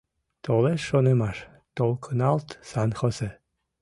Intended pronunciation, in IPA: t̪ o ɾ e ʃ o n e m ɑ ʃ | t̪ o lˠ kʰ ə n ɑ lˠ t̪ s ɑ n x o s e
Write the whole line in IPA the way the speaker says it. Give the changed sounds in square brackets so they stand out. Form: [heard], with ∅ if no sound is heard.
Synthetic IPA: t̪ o [l] e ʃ o n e m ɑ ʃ | t̪ o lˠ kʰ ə n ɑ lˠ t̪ s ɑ n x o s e